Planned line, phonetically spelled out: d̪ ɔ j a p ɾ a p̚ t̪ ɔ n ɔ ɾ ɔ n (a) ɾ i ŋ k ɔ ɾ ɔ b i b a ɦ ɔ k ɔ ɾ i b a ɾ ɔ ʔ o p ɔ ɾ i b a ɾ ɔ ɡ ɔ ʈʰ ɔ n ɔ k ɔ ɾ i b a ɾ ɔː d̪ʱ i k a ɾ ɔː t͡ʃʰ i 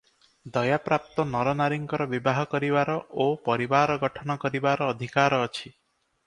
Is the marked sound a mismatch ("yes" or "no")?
no